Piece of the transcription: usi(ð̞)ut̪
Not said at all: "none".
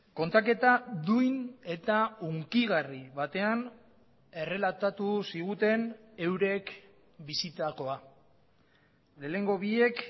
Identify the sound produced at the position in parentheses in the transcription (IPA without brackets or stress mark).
ɣ̞